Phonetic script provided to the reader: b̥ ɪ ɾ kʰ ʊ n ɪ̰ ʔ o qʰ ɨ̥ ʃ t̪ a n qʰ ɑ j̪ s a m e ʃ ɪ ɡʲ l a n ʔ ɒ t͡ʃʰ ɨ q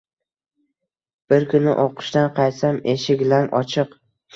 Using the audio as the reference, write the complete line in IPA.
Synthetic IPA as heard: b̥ ɪ ɾ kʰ ʊ n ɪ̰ ʔ o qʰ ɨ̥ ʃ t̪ a n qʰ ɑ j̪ s a m e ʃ ɪ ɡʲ l a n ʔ ɒ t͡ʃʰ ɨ q